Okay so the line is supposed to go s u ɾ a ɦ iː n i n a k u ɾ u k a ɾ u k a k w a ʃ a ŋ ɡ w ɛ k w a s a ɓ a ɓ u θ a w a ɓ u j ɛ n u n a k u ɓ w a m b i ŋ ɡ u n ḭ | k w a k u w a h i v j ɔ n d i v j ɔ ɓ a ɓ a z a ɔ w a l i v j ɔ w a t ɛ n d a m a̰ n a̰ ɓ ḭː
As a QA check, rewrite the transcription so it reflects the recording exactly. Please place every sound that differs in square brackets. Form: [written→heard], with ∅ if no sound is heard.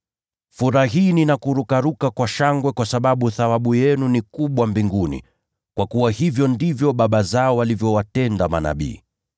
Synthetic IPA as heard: [s→f] u ɾ a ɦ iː n i n a k u ɾ u k a ɾ u k a k w a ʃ a ŋ ɡ w ɛ k w a s a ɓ a ɓ u θ a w a ɓ u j ɛ n u n [a→i] k u ɓ w a m b i ŋ ɡ u n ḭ | k w a k u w a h i v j ɔ n d i v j ɔ ɓ a ɓ a z a ɔ w a l i v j ɔ w a t ɛ n d a m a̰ n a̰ ɓ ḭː